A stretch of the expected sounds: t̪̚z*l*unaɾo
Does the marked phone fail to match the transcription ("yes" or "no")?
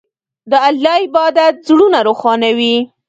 yes